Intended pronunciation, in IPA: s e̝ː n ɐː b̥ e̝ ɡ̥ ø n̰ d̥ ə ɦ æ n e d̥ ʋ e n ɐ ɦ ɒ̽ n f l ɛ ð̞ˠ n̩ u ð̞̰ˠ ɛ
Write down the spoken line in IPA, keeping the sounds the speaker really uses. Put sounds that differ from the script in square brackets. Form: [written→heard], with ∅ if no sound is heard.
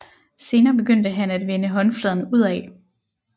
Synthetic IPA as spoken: s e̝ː n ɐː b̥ e̝ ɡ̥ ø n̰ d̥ ə ɦ æ n [e→æ] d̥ ʋ e n [ɐ→ə] ɦ ɒ̽ n f l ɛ ð̞ˠ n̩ u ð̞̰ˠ ɛ